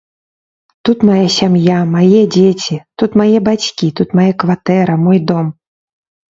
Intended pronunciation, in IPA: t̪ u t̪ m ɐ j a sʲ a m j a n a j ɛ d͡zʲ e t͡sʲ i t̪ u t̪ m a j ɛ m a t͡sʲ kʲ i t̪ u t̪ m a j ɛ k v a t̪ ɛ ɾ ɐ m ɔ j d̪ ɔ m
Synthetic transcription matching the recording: t̪ u t̪ m a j a sʲ a m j a m a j ɛ d͡zʲ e t͡sʲ i t̪ u t̪ m a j ɛ b a t͡sʲ kʲ i t̪ u t̪ m a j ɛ k v a t̪ ɛ ɾ ɐ m ɔ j d̪ ɔ m